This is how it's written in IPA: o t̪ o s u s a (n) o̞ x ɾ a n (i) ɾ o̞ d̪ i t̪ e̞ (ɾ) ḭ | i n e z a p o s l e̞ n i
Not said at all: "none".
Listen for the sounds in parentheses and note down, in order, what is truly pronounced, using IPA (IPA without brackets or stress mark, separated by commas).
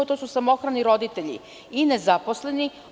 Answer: m, i, ʎ